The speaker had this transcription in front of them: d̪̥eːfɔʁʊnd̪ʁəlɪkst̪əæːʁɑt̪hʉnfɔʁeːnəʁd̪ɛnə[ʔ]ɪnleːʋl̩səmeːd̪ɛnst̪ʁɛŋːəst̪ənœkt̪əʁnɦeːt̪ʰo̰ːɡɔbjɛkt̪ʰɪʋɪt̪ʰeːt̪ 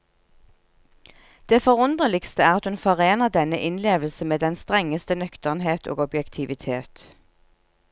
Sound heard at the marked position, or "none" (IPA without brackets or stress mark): ʔ